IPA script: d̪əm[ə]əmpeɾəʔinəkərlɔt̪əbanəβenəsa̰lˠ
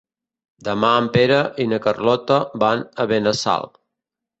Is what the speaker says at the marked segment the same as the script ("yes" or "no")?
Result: no